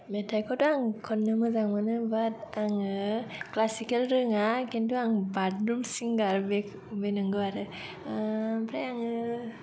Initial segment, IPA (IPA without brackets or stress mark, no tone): m